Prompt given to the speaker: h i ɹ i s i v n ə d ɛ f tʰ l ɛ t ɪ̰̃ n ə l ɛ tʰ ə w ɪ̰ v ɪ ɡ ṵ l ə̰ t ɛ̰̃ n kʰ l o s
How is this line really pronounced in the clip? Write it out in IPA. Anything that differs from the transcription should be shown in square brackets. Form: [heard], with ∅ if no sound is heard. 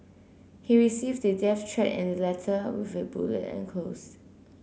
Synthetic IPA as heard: h i ɹ i s i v [d] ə d ɛ f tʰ [ɹ] ɛ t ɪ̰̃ n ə l ɛ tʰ ə w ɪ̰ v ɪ [b] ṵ l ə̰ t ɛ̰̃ n kʰ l o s